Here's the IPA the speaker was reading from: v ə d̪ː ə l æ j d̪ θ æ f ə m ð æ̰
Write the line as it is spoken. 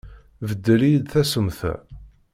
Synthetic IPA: v ə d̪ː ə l i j d̪ θ æ s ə m θ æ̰